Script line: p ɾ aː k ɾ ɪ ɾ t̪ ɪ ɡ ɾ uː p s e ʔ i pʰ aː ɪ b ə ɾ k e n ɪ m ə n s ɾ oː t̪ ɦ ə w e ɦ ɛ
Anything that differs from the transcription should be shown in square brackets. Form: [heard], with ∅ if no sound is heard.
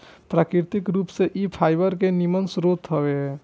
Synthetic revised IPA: p ɾ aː k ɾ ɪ ɾ t̪ ɪ [k] ɾ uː p s e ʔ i pʰ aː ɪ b ə ɾ k e n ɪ m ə n s ɾ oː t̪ ɦ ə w e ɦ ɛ